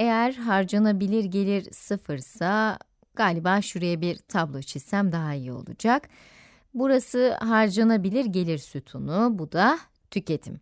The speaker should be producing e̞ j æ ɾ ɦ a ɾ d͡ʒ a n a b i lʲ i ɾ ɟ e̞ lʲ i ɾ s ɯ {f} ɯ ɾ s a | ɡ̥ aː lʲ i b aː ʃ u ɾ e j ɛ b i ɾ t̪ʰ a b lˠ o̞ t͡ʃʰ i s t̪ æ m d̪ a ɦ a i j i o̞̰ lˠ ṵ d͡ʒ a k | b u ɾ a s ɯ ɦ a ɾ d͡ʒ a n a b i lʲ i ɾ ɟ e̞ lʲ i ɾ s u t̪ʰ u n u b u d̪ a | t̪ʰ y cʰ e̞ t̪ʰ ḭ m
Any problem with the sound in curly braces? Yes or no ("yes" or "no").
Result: no